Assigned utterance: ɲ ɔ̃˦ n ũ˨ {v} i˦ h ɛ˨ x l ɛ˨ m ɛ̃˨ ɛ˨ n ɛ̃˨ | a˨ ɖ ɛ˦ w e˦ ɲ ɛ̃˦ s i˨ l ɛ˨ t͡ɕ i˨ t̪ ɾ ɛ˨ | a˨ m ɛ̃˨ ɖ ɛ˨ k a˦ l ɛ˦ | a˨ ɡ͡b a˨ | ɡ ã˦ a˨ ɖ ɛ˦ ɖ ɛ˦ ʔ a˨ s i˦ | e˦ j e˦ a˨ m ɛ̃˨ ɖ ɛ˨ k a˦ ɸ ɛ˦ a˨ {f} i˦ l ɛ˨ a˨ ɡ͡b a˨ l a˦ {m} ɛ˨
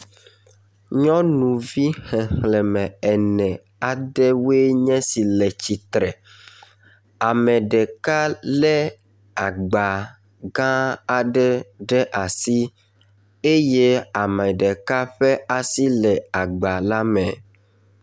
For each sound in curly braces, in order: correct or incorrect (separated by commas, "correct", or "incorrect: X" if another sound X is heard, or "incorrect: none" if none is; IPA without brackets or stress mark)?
correct, incorrect: s, correct